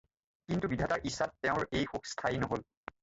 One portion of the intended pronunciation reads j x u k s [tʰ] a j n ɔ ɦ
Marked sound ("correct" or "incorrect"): correct